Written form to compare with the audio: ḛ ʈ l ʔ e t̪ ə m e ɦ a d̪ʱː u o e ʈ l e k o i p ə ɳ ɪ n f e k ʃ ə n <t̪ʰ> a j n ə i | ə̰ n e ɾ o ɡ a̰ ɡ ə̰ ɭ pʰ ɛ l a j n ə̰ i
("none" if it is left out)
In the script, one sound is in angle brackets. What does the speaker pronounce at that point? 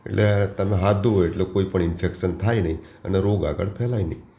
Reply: t̪ʰ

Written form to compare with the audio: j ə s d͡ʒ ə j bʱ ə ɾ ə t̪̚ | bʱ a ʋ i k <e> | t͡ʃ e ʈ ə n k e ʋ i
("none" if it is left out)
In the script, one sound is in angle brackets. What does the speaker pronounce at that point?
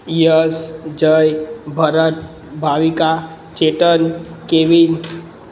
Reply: a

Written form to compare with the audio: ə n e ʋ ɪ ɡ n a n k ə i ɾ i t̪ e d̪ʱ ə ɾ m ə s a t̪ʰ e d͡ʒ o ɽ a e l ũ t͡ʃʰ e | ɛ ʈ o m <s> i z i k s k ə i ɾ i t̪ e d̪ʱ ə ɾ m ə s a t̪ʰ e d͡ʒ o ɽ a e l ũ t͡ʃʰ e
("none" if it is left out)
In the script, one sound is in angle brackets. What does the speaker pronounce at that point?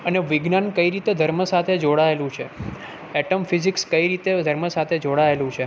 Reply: f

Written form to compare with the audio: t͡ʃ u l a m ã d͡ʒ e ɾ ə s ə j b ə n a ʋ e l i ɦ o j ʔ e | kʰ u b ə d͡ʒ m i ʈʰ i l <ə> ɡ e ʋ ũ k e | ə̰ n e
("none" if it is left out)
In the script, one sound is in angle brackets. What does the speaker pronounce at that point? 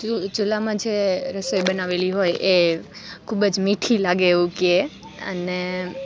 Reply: a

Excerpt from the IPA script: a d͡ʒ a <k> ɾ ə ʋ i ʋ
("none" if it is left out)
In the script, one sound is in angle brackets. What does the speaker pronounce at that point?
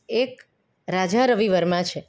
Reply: none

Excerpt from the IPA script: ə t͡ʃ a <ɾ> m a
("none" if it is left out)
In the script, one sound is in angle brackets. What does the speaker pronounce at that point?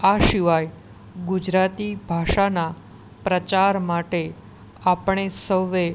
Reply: ɾ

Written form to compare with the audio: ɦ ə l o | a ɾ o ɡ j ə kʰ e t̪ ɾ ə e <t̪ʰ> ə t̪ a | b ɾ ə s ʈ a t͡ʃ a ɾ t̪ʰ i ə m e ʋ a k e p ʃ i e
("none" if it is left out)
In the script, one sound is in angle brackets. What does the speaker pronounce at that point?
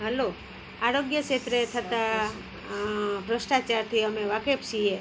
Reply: t̪ʰ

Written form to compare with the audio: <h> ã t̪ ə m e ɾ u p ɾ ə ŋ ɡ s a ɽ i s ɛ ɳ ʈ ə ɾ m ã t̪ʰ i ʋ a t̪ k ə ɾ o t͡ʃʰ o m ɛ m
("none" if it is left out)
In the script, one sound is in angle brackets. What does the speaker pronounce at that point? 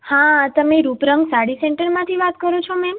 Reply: h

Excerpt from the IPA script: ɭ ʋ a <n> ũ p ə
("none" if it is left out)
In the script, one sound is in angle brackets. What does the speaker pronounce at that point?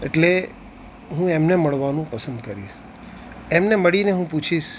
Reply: n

